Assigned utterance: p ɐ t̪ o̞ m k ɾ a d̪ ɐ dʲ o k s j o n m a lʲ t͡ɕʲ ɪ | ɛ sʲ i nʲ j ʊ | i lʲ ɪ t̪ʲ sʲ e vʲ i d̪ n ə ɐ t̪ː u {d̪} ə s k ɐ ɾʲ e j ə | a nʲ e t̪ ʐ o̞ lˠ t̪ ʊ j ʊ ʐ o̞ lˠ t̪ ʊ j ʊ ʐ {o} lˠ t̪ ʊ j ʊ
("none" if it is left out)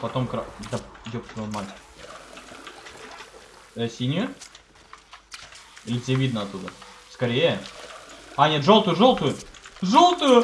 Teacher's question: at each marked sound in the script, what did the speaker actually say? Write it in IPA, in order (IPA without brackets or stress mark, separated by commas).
d̪, o